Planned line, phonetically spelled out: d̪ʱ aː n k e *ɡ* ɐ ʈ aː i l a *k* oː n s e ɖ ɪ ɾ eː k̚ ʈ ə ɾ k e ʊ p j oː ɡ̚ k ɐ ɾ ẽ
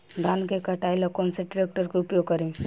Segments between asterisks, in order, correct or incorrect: incorrect: k, correct

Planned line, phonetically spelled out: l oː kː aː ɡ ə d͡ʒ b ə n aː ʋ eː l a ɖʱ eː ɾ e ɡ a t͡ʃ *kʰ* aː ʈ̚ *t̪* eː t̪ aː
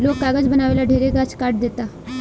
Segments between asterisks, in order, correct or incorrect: incorrect: k, incorrect: d̪

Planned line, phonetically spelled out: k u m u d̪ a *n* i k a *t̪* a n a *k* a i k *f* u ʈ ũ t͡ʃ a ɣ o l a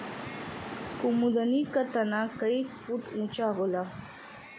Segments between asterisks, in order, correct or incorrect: correct, correct, correct, correct

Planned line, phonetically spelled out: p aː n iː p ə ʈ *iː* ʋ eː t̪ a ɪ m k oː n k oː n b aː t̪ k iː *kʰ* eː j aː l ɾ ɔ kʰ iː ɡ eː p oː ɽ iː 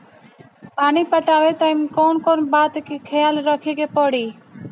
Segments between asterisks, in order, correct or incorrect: incorrect: aː, correct

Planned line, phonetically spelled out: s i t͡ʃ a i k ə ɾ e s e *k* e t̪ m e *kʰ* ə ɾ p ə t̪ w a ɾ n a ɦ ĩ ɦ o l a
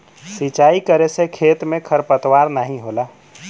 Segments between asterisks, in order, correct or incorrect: incorrect: kʰ, correct

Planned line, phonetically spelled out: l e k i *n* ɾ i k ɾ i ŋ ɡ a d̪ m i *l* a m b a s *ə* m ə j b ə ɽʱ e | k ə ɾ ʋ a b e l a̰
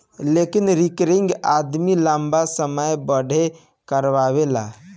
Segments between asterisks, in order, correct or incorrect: correct, correct, correct

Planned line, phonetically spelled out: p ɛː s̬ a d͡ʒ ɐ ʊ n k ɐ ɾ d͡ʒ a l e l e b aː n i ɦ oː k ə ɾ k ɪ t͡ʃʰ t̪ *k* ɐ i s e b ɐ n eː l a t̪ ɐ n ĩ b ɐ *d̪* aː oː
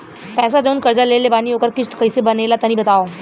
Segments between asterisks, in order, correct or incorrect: correct, incorrect: t̪

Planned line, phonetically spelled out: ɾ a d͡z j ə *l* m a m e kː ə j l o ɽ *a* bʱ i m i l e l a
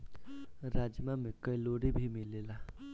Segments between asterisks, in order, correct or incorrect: incorrect: none, incorrect: i

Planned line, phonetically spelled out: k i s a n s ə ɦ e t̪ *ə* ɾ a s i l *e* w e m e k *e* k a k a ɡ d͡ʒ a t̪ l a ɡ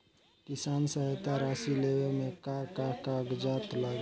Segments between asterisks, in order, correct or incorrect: incorrect: a, correct, incorrect: a

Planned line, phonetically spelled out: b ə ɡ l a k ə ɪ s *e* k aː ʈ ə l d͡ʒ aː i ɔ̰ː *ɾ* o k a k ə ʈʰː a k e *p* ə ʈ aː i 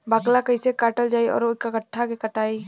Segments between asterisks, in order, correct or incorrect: correct, correct, incorrect: k

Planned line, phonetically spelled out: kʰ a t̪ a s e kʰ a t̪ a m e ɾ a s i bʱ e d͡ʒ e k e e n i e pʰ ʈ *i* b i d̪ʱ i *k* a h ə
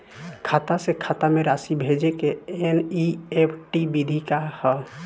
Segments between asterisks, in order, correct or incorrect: correct, correct

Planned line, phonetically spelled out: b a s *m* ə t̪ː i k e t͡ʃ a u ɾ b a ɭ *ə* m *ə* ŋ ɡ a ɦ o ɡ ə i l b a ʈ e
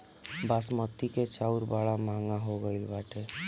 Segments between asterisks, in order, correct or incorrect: correct, incorrect: a, incorrect: a

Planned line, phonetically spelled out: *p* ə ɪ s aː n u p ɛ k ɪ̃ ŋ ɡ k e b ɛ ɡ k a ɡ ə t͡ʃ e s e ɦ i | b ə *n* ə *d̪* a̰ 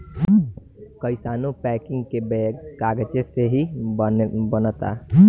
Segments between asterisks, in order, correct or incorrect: incorrect: k, correct, incorrect: t̪

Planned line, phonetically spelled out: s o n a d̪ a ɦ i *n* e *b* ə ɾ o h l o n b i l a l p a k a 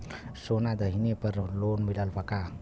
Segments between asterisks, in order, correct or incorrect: correct, incorrect: p

